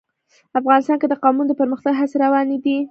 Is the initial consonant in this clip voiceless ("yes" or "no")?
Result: yes